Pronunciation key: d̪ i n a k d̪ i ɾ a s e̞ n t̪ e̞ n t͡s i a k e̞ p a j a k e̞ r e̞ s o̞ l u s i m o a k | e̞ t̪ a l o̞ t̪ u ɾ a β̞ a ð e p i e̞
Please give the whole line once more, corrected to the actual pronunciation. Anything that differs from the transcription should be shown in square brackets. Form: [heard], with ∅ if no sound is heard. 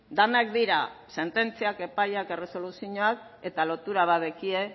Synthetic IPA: d̪ [a] n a k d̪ i ɾ a s e̞ n t̪ e̞ n t͡s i a k e̞ p a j a k e̞ r e̞ s o̞ l u s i [ɲ] o a k | e̞ t̪ a l o̞ t̪ u ɾ a β̞ a ð e [k] i e̞

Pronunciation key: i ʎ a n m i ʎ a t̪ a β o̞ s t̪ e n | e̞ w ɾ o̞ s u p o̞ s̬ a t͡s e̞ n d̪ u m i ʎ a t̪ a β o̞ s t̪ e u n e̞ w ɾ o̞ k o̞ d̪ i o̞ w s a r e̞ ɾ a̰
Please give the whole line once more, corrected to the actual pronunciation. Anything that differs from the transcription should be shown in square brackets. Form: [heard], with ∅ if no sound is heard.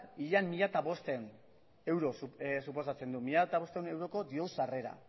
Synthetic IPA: i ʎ a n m i ʎ a t̪ a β o̞ s t̪ e n | e̞ w ɾ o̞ s u p o̞ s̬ a t͡s e̞ n d̪ u m i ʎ a t̪ a β o̞ s t̪ e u n e̞ w ɾ o̞ k o̞ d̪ i o̞ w s a r e̞ ɾ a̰

